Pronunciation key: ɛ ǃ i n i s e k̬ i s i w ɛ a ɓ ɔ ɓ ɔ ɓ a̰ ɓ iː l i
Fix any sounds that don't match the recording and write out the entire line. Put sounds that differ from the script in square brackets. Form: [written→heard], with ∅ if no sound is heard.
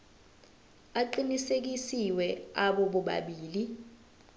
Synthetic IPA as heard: [ɛ→a] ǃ i n i s e k̬ i s i w ɛ a ɓ ɔ ɓ ɔ ɓ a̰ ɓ iː l i